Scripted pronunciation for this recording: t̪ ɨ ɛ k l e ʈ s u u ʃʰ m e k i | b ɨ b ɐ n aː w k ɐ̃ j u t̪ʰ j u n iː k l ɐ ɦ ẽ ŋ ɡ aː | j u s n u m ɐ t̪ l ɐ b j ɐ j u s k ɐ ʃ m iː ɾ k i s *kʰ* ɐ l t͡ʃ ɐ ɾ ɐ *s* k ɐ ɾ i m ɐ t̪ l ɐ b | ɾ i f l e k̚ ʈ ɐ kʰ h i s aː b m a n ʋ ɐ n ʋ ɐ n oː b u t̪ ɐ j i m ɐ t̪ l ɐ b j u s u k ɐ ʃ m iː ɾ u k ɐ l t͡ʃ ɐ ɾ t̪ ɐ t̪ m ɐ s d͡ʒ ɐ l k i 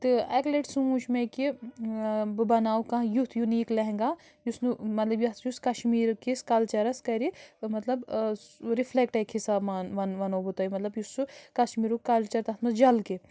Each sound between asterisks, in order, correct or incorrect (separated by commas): incorrect, correct